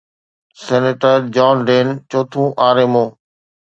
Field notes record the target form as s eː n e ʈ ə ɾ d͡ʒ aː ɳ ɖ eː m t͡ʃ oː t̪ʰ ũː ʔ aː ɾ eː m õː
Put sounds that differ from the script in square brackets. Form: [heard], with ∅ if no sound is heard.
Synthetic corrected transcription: s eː n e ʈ ə ɾ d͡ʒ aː [n] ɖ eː [n] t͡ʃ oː t̪ʰ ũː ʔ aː ɾ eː m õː